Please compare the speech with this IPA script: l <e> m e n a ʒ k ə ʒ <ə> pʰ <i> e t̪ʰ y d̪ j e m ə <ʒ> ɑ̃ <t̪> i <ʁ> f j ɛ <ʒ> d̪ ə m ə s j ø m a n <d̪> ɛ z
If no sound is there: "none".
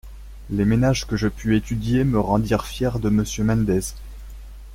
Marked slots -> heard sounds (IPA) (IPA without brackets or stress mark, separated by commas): e, ə, y, ʁ, d̪, ʁ, ʁ, d̪